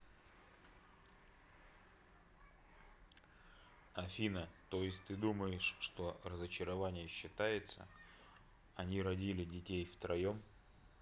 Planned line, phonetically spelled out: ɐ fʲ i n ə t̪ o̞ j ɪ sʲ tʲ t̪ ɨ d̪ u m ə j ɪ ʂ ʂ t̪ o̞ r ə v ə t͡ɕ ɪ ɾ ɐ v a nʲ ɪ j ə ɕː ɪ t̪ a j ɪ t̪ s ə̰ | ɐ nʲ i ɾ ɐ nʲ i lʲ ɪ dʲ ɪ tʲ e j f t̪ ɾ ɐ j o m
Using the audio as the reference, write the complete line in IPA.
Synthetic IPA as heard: ɐ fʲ i n ə t̪ o̞ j ɪ sʲ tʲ t̪ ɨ d̪ u m ə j ɪ ʂ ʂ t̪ o̞ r ə z ə t͡ɕ ɪ ɾ ɐ v a nʲ ɪ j ə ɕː ɪ t̪ a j ɪ t̪ s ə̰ | ɐ nʲ i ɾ ɐ dʲ i lʲ ɪ dʲ ɪ tʲ e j f t̪ ɾ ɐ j o m